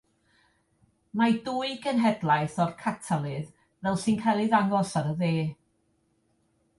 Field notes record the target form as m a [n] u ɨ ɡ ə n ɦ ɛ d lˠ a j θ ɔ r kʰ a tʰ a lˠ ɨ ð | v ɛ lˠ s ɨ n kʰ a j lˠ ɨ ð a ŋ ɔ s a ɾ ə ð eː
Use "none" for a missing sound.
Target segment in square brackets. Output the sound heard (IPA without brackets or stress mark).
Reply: d